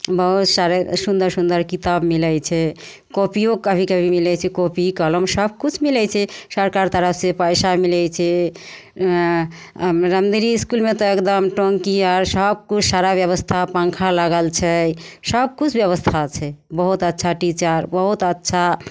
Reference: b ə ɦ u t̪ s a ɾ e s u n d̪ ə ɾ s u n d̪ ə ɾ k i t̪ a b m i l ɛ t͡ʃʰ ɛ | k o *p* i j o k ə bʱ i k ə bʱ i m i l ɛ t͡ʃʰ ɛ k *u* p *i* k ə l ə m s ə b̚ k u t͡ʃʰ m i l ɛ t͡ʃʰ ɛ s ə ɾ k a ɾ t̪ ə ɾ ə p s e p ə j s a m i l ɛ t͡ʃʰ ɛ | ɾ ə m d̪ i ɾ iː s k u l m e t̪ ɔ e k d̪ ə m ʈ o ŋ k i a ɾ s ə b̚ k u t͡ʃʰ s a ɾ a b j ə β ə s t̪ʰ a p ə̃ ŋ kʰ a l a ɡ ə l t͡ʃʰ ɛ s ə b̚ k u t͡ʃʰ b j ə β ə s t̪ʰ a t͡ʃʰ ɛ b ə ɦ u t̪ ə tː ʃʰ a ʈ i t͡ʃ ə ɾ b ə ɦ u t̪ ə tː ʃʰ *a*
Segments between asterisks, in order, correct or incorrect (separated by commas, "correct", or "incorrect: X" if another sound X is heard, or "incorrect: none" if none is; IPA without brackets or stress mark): correct, incorrect: o, correct, correct